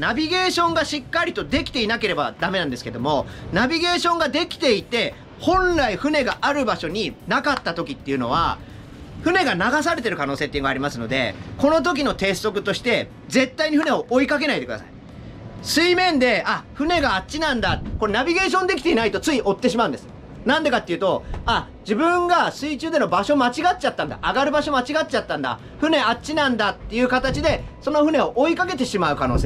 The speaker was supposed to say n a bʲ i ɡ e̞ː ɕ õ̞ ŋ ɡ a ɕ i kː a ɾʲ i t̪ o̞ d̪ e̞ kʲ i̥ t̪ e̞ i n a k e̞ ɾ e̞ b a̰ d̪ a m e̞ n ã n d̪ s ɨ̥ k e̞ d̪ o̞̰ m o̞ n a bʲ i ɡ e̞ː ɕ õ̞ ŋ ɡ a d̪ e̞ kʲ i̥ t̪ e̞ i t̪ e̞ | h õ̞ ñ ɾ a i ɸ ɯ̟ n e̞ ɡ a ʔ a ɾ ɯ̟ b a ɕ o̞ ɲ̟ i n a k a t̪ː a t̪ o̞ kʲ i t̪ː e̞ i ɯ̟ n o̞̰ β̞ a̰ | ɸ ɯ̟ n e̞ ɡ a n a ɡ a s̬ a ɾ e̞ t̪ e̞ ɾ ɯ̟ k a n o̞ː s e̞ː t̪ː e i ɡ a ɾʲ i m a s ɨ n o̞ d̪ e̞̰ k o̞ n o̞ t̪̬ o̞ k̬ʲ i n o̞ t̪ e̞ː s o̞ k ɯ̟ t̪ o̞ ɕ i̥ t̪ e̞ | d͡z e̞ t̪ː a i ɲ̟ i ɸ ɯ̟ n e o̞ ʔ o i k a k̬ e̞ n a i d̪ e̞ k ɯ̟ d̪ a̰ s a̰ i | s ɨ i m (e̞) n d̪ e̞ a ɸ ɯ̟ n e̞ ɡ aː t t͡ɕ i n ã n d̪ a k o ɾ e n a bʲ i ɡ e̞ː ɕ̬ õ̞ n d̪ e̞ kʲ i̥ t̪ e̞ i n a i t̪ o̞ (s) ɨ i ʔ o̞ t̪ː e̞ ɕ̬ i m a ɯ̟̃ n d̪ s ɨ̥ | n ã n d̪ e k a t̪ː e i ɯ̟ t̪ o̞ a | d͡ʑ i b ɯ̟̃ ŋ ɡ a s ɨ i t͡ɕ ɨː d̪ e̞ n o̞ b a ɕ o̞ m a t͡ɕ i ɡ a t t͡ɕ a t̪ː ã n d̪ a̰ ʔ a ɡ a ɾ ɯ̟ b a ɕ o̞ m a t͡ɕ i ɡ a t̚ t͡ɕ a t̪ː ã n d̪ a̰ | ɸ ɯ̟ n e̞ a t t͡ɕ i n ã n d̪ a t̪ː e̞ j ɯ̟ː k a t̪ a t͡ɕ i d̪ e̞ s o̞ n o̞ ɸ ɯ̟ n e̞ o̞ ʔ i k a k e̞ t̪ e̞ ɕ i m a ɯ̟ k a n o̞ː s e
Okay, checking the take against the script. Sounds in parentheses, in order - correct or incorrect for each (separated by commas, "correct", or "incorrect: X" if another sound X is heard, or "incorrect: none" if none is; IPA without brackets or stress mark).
incorrect: ẽ̞, incorrect: t͡s